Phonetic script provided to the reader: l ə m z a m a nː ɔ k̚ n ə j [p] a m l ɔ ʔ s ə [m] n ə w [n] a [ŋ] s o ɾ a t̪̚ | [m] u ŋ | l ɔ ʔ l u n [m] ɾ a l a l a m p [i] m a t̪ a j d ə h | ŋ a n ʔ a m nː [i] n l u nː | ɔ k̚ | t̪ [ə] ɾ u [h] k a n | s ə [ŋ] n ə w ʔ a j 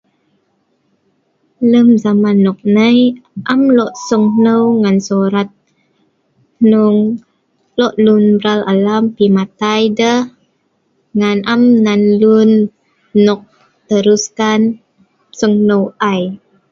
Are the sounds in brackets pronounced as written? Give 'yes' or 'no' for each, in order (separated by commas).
no, no, no, no, no, no, yes, no, yes, no, yes